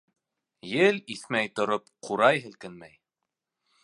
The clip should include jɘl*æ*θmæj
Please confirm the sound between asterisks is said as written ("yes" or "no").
no